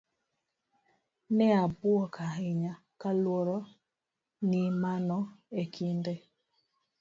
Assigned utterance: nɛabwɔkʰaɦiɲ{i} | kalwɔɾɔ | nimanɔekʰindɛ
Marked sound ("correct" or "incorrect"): incorrect